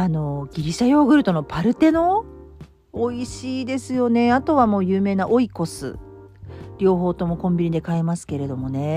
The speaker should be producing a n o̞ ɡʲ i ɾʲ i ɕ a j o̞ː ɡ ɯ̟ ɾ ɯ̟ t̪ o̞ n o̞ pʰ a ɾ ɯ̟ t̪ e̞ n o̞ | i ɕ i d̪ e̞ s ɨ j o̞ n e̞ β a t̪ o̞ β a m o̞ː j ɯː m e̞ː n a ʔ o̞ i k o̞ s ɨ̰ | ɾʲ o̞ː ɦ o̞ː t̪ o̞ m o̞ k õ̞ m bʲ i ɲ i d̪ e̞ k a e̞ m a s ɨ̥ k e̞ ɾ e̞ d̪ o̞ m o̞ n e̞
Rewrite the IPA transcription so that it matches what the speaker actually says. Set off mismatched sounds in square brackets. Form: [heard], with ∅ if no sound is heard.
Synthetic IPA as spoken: a n o̞ ɡʲ i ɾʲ i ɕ a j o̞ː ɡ ɯ̟ ɾ ɯ̟ t̪ o̞ n o̞ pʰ a ɾ ɯ̟ t̪ e̞ n o̞ | i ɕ [iː] d̪ e̞ s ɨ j o̞ n e̞ [∅] a t̪ o̞ β a m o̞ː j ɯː m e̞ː n a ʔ o̞ i k o̞ s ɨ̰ | ɾʲ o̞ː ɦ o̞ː t̪ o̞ m o̞ k õ̞ m bʲ i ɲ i d̪ e̞ k a e̞ m a s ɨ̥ k e̞ ɾ e̞ d̪ o̞ m o̞ n e̞